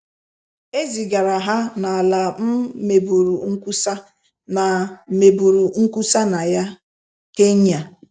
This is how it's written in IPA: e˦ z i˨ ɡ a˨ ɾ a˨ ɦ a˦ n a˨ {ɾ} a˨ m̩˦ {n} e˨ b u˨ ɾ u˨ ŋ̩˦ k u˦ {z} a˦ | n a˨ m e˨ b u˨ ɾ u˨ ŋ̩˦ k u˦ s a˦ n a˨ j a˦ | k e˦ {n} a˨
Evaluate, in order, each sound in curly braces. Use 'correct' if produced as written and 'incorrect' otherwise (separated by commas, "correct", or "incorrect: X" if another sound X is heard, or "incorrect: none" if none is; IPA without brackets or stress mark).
incorrect: l, incorrect: m, incorrect: s, incorrect: ɲ